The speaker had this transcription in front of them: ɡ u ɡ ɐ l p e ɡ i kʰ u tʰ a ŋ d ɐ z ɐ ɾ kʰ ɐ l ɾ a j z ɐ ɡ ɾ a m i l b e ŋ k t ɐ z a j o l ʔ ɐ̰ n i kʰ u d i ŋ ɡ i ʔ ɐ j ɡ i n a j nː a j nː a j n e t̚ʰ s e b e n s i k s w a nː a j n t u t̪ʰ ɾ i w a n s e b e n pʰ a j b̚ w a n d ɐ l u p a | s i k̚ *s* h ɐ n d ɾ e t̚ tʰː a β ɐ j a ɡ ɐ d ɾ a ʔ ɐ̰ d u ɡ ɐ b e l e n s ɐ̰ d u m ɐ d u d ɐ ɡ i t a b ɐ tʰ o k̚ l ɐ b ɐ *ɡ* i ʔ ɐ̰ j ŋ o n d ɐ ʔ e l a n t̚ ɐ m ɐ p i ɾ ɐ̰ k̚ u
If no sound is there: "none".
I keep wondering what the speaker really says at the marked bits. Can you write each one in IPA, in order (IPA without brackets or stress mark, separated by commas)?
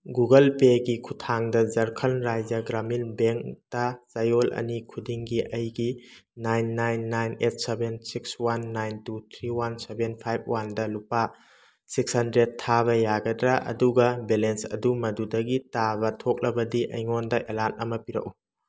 s, d